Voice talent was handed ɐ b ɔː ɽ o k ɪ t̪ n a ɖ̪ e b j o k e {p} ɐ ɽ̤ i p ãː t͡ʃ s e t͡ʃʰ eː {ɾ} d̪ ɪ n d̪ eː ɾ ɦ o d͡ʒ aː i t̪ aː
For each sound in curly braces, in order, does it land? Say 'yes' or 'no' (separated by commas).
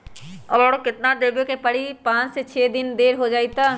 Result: yes, no